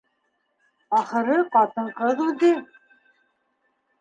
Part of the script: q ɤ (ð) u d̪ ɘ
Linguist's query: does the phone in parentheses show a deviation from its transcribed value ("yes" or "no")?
no